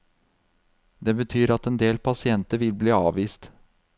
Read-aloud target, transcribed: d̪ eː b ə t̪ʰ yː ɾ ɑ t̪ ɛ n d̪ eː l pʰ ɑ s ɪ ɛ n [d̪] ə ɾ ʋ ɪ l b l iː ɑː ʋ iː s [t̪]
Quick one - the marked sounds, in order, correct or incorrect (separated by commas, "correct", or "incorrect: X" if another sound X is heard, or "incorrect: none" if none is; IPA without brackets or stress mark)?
incorrect: t̪, correct